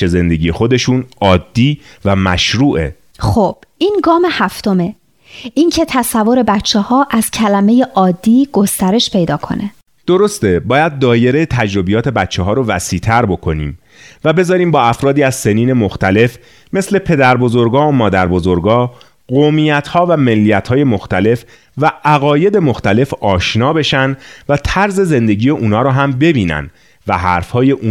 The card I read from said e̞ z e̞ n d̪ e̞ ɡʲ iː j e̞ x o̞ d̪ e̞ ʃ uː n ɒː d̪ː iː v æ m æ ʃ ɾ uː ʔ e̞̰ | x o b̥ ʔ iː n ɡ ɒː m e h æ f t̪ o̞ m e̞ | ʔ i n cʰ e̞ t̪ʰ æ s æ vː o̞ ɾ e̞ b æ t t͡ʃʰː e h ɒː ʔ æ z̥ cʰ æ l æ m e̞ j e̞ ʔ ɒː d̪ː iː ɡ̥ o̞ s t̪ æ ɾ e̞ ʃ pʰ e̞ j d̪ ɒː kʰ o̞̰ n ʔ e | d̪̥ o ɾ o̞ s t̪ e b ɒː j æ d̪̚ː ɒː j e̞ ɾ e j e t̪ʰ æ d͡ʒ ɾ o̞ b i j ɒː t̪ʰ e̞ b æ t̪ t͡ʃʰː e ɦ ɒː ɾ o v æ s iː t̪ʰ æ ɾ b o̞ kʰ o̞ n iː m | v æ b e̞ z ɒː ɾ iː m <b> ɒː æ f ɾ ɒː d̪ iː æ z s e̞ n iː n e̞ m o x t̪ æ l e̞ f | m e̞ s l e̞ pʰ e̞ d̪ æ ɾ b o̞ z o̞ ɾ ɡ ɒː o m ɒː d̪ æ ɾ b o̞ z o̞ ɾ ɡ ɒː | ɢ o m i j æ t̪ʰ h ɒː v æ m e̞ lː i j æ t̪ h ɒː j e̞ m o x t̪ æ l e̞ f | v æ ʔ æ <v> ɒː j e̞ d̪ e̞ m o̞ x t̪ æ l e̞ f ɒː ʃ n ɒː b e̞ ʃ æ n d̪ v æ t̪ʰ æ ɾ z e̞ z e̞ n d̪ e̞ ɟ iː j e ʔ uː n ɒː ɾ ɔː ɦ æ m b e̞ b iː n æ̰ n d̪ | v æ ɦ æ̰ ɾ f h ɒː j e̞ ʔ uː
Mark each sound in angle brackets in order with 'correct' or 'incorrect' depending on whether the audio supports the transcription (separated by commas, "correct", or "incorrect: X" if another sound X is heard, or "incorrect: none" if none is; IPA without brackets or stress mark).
correct, incorrect: ɣ